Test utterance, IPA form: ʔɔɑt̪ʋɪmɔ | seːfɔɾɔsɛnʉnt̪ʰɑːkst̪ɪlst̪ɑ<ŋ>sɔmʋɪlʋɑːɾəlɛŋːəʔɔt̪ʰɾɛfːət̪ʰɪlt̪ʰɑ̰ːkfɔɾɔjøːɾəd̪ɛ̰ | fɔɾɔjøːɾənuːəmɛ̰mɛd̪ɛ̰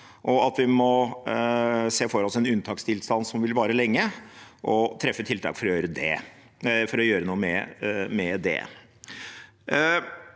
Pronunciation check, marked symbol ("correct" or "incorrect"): incorrect